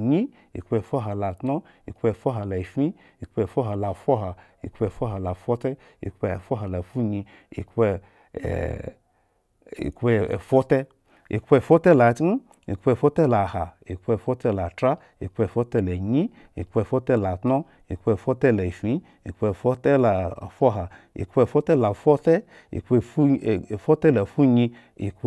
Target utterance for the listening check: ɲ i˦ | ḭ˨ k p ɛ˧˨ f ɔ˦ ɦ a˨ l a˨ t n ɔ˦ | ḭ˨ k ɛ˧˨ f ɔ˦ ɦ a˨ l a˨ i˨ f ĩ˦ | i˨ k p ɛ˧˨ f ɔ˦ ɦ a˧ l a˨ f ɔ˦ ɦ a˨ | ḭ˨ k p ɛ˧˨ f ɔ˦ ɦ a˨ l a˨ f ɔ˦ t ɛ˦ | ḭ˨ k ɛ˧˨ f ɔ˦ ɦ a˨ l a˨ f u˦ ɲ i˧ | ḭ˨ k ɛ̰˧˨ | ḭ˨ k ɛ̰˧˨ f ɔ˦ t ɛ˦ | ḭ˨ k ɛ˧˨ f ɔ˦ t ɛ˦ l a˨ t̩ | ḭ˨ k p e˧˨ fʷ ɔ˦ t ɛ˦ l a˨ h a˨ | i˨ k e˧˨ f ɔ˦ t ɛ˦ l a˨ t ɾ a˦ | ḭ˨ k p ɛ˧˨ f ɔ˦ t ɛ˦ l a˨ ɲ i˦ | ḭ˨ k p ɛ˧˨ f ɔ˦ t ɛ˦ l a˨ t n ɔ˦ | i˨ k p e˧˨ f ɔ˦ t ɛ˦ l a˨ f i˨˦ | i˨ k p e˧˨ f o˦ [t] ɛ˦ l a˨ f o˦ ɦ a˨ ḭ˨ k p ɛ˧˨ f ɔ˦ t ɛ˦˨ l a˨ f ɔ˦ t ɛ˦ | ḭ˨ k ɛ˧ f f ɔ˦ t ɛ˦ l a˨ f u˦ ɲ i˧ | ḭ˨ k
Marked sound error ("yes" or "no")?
no